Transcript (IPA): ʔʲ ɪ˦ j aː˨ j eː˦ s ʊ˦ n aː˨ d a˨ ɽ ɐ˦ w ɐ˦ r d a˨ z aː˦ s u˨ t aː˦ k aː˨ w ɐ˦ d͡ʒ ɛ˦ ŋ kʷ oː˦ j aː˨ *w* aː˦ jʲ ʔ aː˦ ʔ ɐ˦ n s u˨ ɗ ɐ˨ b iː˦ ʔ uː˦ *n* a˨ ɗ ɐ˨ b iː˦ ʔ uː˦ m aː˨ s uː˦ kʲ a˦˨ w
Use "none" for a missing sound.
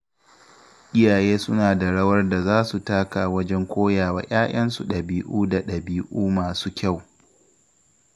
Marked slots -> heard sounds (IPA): w, d

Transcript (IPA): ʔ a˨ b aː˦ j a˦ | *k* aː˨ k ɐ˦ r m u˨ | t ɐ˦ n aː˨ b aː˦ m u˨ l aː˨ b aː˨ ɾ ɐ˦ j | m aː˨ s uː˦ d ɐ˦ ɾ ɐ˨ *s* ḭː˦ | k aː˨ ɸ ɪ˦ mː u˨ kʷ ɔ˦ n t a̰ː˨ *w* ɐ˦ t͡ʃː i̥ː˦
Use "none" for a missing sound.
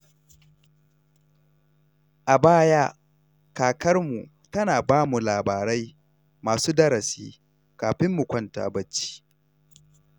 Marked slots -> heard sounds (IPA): k, s, b

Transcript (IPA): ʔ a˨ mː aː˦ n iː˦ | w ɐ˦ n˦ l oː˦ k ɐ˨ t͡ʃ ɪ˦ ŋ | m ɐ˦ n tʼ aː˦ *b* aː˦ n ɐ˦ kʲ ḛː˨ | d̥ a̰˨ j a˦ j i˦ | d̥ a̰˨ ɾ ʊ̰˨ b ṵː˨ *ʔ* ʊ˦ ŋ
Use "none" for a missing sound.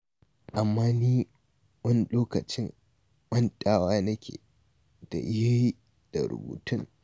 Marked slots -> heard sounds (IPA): w, t

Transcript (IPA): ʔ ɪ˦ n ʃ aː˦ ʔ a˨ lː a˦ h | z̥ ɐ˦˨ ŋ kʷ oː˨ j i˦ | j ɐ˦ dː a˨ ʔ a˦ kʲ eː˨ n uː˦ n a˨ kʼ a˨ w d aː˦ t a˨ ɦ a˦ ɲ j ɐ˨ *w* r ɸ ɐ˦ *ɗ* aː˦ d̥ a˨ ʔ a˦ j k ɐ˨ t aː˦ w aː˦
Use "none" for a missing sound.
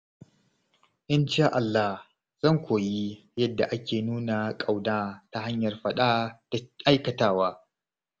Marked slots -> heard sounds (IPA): none, ɗ

